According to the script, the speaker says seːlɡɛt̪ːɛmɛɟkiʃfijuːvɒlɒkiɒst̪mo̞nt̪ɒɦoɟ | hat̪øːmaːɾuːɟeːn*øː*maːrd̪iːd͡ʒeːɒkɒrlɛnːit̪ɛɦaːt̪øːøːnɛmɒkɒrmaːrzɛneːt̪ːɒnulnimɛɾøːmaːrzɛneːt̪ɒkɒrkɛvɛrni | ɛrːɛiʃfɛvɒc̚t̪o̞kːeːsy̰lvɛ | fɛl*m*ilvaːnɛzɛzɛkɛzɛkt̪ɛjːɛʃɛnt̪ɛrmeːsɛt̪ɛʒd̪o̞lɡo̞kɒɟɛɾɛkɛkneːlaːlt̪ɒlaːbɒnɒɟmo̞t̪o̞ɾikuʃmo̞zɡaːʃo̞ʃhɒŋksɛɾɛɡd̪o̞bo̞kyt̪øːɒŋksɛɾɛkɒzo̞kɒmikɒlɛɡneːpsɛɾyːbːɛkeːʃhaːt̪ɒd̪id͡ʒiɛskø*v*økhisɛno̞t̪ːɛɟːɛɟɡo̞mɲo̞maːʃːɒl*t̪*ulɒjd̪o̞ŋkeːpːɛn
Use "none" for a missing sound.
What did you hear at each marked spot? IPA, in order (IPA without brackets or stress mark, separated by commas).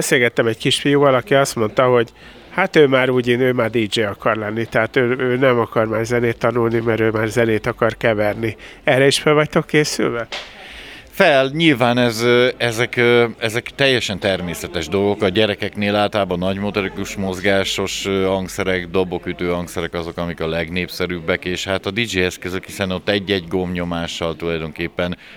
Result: øː, ɲ, z, t̪